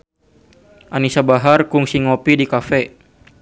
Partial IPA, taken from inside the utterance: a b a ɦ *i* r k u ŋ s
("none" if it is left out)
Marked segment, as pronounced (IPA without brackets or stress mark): a